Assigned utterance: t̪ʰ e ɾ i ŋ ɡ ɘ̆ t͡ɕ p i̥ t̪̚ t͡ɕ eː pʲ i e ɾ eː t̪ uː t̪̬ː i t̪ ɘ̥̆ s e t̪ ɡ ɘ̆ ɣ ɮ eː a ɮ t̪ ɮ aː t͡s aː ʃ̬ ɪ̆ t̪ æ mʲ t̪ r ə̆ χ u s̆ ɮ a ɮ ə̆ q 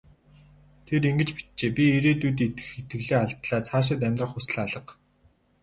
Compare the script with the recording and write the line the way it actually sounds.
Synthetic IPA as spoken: t̪ʰ e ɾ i ŋ ɡ ɘ̆ t͡ɕ p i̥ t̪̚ t͡ɕ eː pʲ i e ɾ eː t̪ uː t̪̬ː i t̪ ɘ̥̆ x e t̪ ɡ ɘ̆ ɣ ɮ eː a ɮ t̪ ɮ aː t͡sʰ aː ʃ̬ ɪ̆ t̪ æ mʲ t̪ r ə̆ χ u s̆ ɮ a ɮ ə̆ q